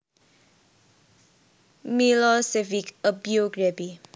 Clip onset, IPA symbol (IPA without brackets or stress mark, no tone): m